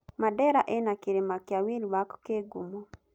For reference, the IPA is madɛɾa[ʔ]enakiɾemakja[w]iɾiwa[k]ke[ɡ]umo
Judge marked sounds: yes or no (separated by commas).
yes, yes, yes, yes